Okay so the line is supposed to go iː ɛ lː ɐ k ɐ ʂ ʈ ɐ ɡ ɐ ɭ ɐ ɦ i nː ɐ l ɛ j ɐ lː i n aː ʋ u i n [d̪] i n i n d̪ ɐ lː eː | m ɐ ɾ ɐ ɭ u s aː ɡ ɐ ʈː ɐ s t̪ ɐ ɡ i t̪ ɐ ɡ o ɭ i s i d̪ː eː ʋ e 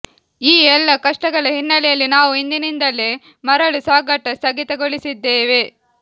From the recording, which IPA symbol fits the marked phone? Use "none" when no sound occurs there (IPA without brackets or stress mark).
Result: d̪